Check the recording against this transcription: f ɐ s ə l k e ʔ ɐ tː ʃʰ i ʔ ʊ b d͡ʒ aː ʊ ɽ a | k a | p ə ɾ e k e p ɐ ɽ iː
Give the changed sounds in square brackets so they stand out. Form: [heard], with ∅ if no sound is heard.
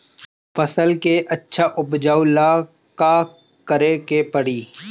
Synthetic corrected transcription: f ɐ s ə l k e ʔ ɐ tː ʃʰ [a] ʔ ʊ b d͡ʒ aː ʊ [l] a | k a | [k] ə ɾ e k e p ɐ ɽ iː